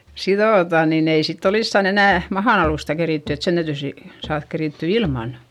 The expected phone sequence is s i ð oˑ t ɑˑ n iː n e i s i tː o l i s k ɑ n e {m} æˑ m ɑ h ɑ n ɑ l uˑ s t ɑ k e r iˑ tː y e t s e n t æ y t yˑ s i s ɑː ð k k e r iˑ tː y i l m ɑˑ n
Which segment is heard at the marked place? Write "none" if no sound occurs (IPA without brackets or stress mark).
n